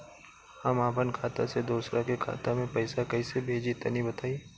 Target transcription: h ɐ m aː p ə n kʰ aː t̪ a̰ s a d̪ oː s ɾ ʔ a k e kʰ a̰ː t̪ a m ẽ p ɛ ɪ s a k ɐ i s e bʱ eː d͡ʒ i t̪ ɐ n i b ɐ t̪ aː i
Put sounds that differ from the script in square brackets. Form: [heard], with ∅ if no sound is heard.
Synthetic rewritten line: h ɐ m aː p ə n kʰ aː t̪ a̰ s [e] d̪ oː s ɾ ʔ a k e kʰ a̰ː t̪ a m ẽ p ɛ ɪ s a k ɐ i s e bʱ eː d͡ʒ i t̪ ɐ n i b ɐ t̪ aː i

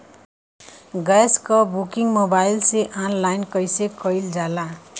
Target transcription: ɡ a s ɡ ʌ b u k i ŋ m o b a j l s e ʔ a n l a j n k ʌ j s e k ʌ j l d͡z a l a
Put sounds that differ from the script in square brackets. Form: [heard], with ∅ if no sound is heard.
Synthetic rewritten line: ɡ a s [k] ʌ b u k i ŋ m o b a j l s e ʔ a n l a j n k ʌ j s e k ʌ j l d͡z a l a

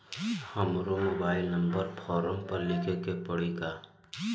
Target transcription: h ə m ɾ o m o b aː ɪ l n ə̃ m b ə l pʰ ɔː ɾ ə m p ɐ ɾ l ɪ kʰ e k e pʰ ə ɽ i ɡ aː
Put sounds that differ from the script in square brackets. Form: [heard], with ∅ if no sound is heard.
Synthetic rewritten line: h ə m ɾ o m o b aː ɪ l n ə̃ m b ə [ɾ] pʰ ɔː ɾ ə m p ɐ ɾ l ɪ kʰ e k e [p] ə ɽ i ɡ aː

